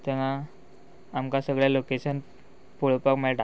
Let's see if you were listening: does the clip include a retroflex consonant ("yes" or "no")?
yes